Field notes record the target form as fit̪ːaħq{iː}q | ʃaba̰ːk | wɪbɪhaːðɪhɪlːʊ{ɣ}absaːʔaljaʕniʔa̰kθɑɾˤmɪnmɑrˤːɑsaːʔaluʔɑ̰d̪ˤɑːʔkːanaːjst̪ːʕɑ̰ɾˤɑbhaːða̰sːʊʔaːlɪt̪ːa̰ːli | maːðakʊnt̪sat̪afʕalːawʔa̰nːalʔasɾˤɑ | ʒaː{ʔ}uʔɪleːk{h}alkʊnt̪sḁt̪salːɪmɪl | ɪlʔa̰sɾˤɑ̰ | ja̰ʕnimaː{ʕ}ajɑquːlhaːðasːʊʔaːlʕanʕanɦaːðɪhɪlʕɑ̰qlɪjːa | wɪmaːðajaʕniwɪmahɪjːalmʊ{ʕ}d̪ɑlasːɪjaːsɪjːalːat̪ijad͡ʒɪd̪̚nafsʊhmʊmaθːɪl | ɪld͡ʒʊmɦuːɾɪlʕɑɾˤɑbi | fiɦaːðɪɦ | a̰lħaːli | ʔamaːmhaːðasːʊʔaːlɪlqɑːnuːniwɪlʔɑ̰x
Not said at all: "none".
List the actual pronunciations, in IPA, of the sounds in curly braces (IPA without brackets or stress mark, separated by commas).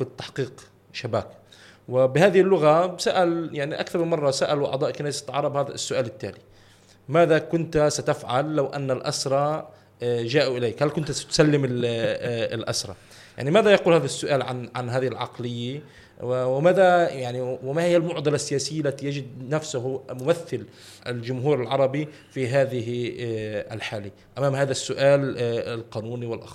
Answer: iː, ɣ, ʔ, h, ð, ʕ